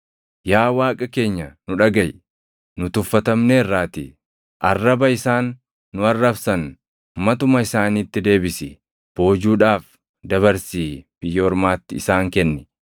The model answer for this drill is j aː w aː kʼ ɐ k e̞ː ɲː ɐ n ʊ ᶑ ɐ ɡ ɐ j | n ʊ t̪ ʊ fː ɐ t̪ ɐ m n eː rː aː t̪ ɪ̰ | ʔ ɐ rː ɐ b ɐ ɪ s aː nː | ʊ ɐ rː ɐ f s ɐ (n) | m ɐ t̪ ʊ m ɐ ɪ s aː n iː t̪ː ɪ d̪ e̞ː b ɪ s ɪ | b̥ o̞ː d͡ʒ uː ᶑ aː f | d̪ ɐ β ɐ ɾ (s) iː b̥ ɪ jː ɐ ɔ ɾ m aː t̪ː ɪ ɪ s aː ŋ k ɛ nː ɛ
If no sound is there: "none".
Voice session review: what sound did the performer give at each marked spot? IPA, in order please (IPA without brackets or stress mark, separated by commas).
n, s